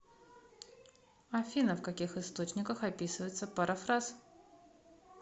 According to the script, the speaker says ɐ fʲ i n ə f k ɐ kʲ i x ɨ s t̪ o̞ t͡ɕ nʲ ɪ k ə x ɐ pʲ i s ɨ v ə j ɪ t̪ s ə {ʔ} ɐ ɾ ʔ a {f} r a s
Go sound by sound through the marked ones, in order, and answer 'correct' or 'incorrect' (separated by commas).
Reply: incorrect, correct